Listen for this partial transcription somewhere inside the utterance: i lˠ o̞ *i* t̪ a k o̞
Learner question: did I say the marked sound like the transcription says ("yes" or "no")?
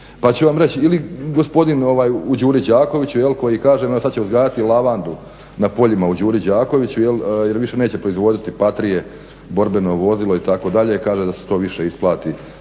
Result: yes